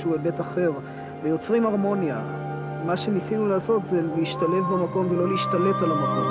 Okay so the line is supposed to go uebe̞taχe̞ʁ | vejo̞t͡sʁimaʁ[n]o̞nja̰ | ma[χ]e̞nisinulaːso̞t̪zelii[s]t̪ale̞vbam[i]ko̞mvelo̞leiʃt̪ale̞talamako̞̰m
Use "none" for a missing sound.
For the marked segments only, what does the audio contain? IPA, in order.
m, ʃ, ʃ, a

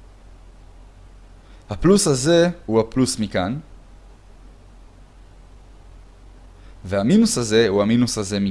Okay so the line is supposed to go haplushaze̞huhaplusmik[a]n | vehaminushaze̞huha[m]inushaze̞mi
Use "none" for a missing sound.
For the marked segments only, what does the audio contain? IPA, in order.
a, m

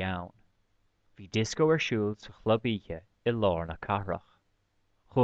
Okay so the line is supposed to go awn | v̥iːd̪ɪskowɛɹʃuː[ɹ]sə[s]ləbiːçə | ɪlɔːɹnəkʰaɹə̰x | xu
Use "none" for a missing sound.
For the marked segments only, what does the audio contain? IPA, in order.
l, x

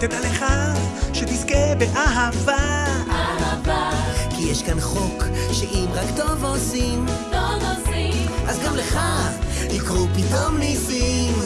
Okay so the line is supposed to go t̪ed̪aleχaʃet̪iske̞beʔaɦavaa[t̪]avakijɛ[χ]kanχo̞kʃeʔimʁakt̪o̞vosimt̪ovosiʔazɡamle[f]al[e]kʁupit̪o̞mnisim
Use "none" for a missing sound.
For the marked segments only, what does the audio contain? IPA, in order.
none, ʃ, χ, i

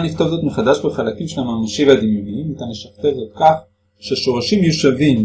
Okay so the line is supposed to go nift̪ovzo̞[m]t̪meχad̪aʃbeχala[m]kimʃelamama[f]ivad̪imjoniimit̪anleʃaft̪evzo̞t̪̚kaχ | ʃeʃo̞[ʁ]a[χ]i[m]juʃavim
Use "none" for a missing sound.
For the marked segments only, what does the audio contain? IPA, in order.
none, none, ʃ, ʁ, ʃ, m

